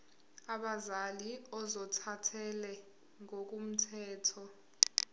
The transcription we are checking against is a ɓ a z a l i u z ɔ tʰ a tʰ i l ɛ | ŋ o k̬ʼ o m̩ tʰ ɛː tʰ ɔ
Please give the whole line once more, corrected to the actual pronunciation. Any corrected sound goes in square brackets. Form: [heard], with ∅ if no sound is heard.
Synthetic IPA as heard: a ɓ a z a l i [ɔ] z ɔ tʰ a tʰ [ɛ] l ɛ | ŋ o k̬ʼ [u] m̩ tʰ ɛː tʰ ɔ